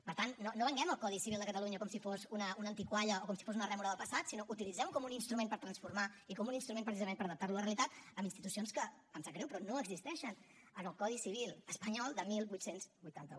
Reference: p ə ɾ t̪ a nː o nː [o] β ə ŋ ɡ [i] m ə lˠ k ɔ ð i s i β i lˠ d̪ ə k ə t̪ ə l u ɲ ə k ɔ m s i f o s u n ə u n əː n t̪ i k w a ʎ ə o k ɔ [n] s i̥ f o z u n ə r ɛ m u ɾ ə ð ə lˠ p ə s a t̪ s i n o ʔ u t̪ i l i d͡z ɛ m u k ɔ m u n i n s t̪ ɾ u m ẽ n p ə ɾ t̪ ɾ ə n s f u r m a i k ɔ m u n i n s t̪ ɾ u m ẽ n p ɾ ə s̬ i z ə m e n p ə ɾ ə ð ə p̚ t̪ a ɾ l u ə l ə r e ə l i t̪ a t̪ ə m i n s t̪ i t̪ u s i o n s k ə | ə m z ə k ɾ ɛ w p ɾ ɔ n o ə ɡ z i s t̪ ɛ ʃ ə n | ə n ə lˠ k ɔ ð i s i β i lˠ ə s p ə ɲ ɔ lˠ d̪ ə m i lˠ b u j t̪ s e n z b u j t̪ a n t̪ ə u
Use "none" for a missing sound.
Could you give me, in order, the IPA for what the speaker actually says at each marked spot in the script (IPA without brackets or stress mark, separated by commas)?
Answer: o, ɛ, m